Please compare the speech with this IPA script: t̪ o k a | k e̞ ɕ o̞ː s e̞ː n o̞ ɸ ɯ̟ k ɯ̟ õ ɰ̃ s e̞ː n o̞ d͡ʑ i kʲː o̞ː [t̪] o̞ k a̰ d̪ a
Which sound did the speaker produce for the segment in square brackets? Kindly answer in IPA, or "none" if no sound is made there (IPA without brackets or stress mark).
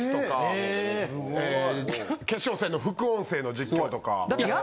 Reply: t̪